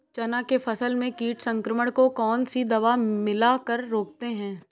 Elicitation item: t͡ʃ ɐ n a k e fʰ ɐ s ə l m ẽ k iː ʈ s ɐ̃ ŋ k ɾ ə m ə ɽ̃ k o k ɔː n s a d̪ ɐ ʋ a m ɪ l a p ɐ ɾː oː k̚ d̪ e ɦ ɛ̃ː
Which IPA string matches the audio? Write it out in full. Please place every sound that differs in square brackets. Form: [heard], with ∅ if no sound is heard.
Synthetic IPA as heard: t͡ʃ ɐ n a k e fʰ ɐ s ə l m ẽ k iː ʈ s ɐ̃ ŋ k ɾ ə m ə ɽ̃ k o k ɔː n s [i] d̪ ɐ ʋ a m ɪ l a [k] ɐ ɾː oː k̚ [t̪] e ɦ ɛ̃ː